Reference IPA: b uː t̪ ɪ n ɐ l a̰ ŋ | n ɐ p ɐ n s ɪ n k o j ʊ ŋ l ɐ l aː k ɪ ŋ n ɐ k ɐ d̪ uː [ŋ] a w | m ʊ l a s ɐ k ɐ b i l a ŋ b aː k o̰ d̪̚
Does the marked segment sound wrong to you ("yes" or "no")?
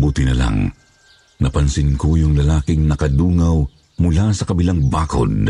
no